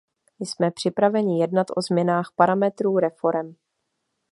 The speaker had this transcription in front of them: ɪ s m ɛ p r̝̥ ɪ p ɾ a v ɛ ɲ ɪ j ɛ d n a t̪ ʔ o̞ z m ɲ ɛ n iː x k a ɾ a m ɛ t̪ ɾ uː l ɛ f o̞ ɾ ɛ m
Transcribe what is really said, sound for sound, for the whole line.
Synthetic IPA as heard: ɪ s m ɛ p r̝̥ ɪ p ɾ a v ɛ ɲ ɪ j ɛ d n a t̪ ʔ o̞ z m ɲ ɛ n aː x p a ɾ a m ɛ t̪ ɾ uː ɾ ɛ f o̞ ɾ ɛ m